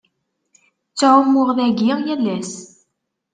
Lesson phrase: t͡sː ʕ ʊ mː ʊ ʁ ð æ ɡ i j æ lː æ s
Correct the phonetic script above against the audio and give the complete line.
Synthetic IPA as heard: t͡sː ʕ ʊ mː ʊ ʁ ð æ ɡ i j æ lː æ s